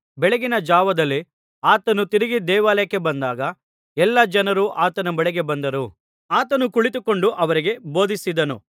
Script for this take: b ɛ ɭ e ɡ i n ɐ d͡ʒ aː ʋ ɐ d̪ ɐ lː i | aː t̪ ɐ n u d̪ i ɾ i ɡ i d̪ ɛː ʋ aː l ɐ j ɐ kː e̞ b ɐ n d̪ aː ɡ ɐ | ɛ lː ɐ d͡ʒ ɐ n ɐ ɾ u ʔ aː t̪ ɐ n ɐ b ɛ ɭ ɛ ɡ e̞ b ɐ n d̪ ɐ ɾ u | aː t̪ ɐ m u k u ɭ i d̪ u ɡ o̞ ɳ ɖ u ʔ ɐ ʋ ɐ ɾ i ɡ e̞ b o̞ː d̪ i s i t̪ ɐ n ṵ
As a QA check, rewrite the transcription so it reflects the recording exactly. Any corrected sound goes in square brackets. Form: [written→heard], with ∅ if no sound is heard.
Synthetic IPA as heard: b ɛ ɭ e ɡ i n ɐ d͡ʒ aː ʋ ɐ d̪ ɐ lː i | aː t̪ ɐ n u [d̪→t̪] i ɾ i ɡ i d̪ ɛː ʋ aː l ɐ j ɐ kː e̞ b ɐ n d̪ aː ɡ ɐ | ɛ lː ɐ d͡ʒ ɐ n ɐ ɾ u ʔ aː t̪ ɐ n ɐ b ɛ ɭ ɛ ɡ e̞ b ɐ n d̪ ɐ ɾ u | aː t̪ ɐ [m→n] u k u ɭ i [d̪→t̪] u [ɡ→k] o̞ ɳ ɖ u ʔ ɐ ʋ ɐ ɾ i ɡ e̞ b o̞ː d̪ i s i [t̪→d̪] ɐ n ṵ

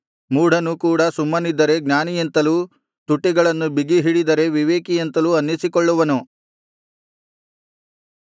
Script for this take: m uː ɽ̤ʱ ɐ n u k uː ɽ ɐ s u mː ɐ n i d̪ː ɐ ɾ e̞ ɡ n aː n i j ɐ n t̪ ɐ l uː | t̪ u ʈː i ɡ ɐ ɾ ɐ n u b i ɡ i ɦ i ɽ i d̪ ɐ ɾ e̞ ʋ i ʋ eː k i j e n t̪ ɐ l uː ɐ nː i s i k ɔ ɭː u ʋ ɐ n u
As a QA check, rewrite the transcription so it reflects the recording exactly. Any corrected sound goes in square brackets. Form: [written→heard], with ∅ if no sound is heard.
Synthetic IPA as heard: m uː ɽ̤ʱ ɐ n u k uː ɽ ɐ s u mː ɐ n i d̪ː ɐ ɾ e̞ ɡ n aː n i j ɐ n t̪ ɐ l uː | t̪ u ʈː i ɡ ɐ [ɾ→ɭ] ɐ [n→nː] u b i ɡ i ɦ i ɽ i d̪ ɐ ɾ e̞ ʋ i ʋ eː k i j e n t̪ ɐ l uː ɐ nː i s i k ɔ ɭː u ʋ ɐ n u

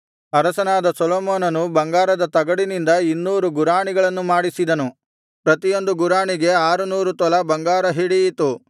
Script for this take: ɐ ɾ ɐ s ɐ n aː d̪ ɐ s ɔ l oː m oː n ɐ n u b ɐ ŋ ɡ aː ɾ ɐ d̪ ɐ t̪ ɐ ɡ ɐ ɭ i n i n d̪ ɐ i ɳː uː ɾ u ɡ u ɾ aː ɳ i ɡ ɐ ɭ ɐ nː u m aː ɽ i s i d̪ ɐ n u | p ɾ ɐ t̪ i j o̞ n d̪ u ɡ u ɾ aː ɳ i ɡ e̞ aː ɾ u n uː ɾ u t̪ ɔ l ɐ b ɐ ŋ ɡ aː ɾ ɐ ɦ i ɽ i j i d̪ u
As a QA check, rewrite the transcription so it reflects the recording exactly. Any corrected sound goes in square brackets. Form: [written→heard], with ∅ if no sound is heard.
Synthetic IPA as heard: ɐ ɾ ɐ s ɐ n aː d̪ ɐ s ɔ l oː m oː n ɐ n u b ɐ ŋ ɡ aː ɾ ɐ d̪ ɐ t̪ ɐ ɡ ɐ [ɭ→ɽ] i n i n d̪ ɐ i [ɳː→nː] uː ɾ u ɡ u ɾ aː ɳ i ɡ ɐ ɭ ɐ nː u m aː ɽ i s i d̪ ɐ n u | p ɾ ɐ t̪ i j o̞ n d̪ u ɡ u ɾ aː ɳ i ɡ e̞ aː ɾ u n uː ɾ u t̪ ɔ l ɐ b ɐ ŋ ɡ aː ɾ ɐ ɦ i ɽ i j i [d̪→t̪] u

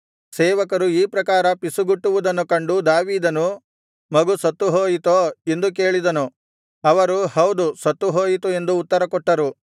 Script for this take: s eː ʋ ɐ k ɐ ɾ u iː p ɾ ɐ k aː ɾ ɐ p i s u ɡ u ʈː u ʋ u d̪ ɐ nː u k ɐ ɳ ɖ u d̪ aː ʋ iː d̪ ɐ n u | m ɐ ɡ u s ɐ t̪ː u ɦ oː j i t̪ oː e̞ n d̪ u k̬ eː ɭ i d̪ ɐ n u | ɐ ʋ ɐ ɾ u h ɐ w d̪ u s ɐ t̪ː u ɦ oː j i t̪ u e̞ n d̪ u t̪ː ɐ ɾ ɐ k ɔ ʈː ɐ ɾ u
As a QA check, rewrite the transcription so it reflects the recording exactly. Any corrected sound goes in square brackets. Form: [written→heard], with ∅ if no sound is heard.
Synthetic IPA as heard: s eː ʋ ɐ k ɐ ɾ u iː p ɾ ɐ k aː ɾ ɐ p i s u ɡ u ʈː u ʋ u d̪ ɐ nː u k ɐ ɳ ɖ u d̪ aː ʋ iː d̪ ɐ n u | m ɐ ɡ u s ɐ t̪ː u ɦ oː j i t̪ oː e̞ n d̪ u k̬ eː ɭ i d̪ ɐ n u | ɐ ʋ ɐ ɾ u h ɐ w d̪ u s ɐ t̪ː u ɦ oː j i t̪ u e̞ n d̪ [u→uː] t̪ː ɐ ɾ ɐ k ɔ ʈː ɐ ɾ u

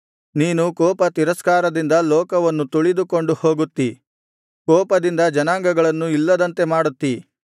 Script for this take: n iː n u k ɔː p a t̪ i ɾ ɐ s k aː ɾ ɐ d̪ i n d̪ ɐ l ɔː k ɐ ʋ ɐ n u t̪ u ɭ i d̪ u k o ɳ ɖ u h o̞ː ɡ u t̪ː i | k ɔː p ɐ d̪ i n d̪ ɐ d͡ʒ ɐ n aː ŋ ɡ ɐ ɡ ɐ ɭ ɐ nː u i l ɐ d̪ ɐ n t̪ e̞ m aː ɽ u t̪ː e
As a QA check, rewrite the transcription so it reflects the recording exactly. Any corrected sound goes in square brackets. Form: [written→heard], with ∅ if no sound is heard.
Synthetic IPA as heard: n iː n u k ɔː p [a→ɐ] t̪ i ɾ ɐ s k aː ɾ ɐ d̪ i n d̪ ɐ l ɔː k ɐ ʋ ɐ [n→nː] u t̪ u ɭ i d̪ u k o ɳ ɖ u h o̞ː ɡ u t̪ː i | k ɔː p ɐ d̪ i n d̪ ɐ d͡ʒ ɐ n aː ŋ ɡ ɐ ɡ ɐ ɭ ɐ nː u i [l→lː] ɐ d̪ ɐ n t̪ e̞ m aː ɽ u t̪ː [e→i]

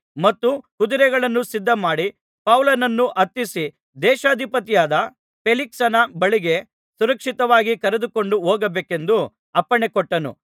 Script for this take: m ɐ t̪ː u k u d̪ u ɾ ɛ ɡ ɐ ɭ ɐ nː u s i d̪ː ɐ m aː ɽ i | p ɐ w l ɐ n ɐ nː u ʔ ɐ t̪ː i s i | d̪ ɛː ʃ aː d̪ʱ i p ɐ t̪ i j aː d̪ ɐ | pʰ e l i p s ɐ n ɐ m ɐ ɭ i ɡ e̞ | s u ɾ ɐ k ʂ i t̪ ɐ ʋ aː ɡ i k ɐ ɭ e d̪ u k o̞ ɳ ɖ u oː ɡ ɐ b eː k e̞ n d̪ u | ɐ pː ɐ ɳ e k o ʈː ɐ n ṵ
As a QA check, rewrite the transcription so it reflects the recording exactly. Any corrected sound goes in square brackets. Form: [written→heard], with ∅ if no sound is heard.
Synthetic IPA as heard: m ɐ t̪ː u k u d̪ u ɾ ɛ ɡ ɐ ɭ ɐ nː u s i d̪ː ɐ m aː ɽ i | p ɐ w l ɐ n ɐ nː u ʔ ɐ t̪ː i s i | d̪ ɛː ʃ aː d̪ʱ i p ɐ t̪ i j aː d̪ ɐ | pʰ e l i [p→k] s ɐ n ɐ [m→b] ɐ ɭ i ɡ e̞ | s u ɾ ɐ k ʂ i t̪ ɐ ʋ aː ɡ i k ɐ [ɭ→ɾ] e d̪ u k o̞ ɳ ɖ u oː ɡ ɐ b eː k e̞ n d̪ u | ɐ pː ɐ ɳ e k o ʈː ɐ n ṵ

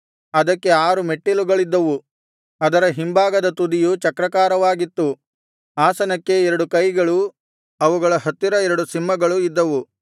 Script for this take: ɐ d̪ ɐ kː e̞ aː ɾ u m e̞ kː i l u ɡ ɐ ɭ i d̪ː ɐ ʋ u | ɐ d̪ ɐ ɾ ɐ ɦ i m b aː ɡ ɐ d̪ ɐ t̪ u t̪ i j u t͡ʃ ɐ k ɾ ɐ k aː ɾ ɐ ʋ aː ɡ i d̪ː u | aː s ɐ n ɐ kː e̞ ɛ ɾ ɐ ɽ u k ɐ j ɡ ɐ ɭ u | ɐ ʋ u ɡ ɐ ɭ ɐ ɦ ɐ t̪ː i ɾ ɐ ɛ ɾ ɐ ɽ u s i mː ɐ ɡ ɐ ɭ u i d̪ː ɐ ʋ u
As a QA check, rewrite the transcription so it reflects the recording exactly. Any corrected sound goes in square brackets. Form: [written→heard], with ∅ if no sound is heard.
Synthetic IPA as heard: ɐ d̪ ɐ kː e̞ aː ɾ u m e̞ [kː→ʈː] i l u ɡ ɐ ɭ i d̪ː ɐ ʋ u | ɐ d̪ ɐ ɾ ɐ ɦ i m b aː ɡ ɐ d̪ ɐ t̪ u [t̪→d̪] i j u t͡ʃ ɐ k ɾ ɐ k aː ɾ ɐ ʋ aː ɡ i [d̪ː→t̪ː] u | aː s ɐ n ɐ kː e̞ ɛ ɾ ɐ ɽ u k ɐ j ɡ ɐ ɭ u | ɐ ʋ u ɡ ɐ ɭ ɐ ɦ ɐ t̪ː i ɾ ɐ ɛ ɾ ɐ ɽ u s i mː ɐ ɡ ɐ ɭ u i d̪ː ɐ ʋ u

